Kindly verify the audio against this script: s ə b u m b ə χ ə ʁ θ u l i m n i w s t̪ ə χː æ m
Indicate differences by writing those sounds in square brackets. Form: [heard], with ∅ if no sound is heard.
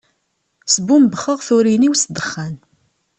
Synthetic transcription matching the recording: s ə b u m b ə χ ə ʁ θ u [ɾ] i [∅] n i w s [d̪] ə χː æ [n]